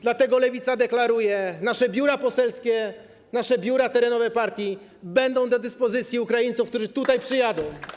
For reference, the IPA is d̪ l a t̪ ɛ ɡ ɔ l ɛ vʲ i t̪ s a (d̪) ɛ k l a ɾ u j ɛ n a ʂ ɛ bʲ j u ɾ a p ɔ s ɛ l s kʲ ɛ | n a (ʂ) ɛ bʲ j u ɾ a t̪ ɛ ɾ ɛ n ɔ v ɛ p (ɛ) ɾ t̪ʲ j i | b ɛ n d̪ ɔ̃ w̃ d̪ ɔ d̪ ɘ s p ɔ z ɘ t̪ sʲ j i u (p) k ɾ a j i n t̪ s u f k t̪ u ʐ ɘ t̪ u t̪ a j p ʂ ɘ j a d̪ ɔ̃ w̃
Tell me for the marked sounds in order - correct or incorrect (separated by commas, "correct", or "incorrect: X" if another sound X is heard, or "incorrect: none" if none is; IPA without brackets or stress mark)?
correct, correct, incorrect: a, incorrect: none